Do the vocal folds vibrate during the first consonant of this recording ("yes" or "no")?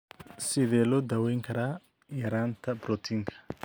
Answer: no